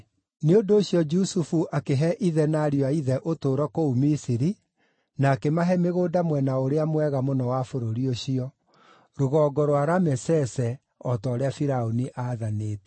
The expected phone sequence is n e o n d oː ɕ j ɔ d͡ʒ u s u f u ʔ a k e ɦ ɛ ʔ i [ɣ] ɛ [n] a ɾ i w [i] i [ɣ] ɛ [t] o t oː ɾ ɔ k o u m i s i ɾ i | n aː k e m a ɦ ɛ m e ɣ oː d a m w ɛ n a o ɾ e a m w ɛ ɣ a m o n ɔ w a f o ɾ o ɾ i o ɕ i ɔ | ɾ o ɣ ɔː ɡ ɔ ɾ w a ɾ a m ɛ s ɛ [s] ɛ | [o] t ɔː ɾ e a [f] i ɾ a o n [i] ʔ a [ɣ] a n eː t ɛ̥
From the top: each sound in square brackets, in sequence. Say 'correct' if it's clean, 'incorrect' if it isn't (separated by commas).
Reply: incorrect, correct, incorrect, incorrect, incorrect, correct, incorrect, correct, correct, incorrect